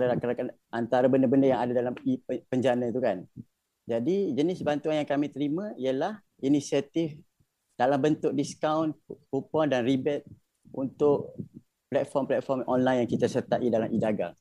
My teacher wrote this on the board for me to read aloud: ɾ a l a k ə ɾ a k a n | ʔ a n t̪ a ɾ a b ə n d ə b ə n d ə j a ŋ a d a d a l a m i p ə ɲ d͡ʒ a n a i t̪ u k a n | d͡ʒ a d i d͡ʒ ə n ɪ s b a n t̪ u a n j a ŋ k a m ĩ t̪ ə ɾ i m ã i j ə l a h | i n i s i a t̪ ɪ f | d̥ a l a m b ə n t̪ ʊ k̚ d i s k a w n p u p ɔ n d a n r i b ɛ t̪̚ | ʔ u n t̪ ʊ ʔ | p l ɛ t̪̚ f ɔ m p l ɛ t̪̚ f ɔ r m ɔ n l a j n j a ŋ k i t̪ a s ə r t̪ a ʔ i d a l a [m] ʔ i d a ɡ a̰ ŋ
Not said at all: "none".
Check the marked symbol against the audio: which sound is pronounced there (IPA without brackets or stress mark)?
m